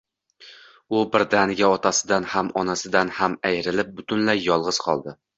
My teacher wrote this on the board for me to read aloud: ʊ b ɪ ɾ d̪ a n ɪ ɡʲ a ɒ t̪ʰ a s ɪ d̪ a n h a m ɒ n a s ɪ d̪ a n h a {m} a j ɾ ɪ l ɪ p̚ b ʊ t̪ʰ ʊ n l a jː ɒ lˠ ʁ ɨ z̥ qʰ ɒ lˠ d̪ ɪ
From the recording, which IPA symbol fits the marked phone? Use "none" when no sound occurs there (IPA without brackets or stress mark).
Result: m